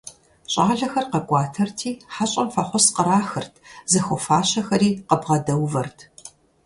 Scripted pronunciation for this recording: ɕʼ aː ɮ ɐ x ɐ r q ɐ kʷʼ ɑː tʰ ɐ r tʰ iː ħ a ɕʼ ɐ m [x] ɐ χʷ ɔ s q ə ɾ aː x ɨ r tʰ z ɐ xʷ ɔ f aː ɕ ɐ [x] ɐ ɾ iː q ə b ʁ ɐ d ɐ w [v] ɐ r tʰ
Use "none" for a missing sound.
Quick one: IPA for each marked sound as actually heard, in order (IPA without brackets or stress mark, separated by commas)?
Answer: f, x, v